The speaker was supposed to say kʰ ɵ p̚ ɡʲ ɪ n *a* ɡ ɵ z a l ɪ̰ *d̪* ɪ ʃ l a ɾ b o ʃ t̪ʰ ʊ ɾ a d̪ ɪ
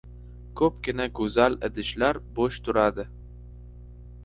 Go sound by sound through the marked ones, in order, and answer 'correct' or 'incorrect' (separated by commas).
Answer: correct, correct